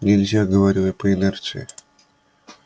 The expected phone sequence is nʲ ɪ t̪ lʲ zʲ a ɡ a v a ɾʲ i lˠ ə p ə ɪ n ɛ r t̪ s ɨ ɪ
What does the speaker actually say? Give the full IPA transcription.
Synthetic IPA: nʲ ɪ lʲ zʲ a ɡ ə v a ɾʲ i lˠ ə p ə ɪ n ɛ r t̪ s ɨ ɪ